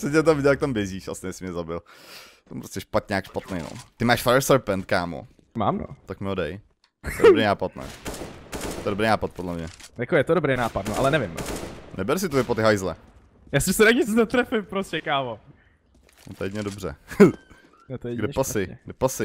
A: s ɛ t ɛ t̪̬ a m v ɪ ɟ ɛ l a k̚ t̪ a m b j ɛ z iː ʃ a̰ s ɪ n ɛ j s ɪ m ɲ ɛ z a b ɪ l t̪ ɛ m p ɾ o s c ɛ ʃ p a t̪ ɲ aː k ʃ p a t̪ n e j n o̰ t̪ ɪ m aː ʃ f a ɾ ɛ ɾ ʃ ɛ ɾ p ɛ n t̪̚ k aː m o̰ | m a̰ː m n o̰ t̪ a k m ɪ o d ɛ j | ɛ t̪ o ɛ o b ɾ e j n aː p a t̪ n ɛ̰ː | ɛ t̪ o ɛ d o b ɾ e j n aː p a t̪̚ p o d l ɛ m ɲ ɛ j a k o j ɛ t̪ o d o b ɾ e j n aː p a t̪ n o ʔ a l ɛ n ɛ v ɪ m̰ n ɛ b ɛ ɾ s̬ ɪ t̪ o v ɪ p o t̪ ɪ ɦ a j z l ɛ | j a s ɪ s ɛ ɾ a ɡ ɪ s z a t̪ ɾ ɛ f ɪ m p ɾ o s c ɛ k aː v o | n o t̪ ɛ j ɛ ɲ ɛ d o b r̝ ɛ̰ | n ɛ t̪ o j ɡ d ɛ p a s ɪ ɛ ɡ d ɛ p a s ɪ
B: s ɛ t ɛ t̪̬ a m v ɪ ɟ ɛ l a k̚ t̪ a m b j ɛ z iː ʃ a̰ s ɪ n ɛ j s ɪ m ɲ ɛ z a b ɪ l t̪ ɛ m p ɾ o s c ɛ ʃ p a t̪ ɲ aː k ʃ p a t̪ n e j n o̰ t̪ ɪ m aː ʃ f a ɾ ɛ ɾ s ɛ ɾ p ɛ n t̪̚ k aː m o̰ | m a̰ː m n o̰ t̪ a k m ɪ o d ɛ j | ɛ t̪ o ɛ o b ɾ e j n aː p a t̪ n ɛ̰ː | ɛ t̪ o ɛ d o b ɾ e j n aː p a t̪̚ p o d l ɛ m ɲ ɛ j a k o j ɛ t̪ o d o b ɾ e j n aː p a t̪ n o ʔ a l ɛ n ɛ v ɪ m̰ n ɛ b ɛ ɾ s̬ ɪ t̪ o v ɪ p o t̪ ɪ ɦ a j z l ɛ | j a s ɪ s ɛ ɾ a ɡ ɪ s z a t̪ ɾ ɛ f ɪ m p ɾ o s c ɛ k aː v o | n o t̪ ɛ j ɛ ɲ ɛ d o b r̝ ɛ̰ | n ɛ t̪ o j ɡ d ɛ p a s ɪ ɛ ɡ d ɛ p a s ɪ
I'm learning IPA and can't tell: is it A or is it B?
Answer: B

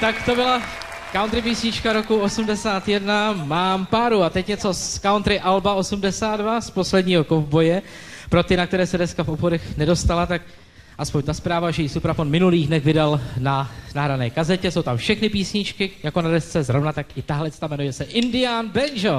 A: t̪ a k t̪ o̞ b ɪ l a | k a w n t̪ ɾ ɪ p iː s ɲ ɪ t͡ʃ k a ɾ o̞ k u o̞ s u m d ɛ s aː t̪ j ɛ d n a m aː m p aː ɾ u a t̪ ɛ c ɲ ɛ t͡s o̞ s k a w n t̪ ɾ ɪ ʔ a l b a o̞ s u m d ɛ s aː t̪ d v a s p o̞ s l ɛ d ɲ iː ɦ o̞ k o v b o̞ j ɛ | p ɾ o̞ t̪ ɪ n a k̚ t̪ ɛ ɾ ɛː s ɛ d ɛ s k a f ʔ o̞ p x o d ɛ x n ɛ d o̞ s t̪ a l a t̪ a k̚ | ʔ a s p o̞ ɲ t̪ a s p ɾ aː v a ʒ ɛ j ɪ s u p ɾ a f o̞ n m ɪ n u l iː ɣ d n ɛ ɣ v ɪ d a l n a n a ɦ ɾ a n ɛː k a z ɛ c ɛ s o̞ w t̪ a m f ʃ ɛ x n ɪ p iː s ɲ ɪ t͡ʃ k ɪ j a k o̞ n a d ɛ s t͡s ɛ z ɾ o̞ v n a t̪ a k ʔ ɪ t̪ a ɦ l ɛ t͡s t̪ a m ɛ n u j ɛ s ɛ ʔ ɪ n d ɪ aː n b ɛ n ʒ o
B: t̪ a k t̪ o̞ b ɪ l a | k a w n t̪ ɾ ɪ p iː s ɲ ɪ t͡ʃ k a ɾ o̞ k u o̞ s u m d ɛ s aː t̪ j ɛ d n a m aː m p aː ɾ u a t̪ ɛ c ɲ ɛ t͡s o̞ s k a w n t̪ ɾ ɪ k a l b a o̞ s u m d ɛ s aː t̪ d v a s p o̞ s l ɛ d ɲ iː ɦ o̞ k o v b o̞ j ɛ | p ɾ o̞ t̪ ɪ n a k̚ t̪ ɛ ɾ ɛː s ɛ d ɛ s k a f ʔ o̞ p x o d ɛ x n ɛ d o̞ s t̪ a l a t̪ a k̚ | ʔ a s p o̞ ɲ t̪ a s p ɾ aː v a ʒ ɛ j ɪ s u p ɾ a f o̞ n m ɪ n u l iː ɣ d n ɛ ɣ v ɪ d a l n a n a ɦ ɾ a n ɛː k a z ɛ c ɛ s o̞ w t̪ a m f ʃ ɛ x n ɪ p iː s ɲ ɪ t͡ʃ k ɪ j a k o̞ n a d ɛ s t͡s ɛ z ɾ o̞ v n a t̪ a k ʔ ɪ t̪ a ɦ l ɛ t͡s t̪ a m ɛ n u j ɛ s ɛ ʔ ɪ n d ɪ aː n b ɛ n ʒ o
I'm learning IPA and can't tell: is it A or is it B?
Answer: A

